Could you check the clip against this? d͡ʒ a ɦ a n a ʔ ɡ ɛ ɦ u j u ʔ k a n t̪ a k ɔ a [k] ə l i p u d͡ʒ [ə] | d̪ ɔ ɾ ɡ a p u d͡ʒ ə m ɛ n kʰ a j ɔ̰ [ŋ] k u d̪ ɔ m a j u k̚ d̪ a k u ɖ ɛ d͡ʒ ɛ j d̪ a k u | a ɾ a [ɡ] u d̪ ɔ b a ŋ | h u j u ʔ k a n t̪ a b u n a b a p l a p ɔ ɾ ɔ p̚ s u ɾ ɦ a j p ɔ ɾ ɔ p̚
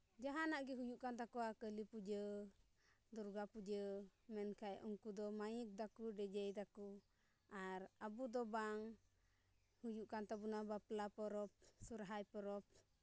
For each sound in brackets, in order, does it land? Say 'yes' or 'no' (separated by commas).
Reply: yes, yes, yes, no